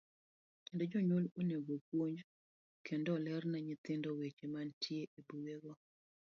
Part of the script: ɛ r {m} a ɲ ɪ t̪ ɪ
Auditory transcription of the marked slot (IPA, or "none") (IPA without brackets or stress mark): n